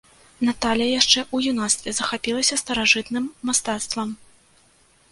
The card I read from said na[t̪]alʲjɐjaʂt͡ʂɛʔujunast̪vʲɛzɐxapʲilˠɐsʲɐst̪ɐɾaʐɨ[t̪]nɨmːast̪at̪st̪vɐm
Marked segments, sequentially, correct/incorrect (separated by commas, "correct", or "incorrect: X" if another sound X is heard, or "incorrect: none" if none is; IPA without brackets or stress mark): correct, correct